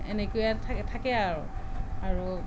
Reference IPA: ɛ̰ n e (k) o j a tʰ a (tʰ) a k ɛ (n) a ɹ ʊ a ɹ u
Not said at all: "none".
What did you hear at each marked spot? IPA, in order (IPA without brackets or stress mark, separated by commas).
k, tʰ, none